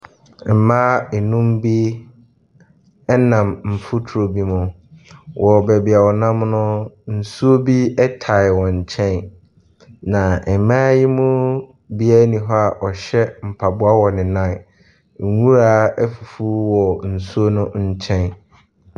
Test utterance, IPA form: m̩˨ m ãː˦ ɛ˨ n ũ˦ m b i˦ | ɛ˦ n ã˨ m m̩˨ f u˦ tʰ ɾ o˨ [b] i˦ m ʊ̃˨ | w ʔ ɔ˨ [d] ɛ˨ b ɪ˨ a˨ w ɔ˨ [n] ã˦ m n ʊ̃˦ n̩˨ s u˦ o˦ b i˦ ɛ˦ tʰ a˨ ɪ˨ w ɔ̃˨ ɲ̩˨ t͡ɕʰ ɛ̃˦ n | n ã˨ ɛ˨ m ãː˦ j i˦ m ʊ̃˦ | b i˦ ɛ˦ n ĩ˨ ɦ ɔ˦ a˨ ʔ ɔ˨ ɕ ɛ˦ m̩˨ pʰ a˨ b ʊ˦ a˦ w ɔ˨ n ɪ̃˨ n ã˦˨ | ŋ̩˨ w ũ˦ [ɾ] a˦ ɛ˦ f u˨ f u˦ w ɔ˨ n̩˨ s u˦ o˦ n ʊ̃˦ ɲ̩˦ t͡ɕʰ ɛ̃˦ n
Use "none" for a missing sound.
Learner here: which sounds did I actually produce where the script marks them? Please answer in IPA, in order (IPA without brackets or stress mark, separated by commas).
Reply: b, b, n, ɾ